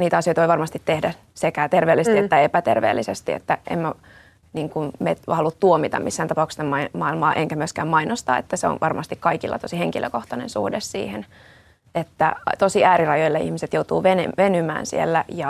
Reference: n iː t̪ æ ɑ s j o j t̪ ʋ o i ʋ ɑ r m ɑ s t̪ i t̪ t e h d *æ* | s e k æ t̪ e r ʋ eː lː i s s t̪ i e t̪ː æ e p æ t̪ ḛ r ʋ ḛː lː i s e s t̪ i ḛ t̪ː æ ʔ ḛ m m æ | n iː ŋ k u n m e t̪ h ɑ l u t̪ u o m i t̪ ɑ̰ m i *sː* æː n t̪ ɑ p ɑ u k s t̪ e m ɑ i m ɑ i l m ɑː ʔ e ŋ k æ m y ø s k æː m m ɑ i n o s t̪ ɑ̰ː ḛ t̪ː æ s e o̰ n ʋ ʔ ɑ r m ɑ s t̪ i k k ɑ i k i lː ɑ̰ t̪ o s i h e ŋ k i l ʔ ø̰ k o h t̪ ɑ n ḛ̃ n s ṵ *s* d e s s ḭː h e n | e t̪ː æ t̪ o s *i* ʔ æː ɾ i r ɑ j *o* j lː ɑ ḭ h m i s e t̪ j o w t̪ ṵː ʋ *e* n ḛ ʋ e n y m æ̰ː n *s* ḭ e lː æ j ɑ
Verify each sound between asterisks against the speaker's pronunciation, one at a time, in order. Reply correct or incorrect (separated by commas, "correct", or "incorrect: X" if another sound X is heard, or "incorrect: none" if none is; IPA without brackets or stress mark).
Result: correct, correct, incorrect: h, correct, correct, correct, correct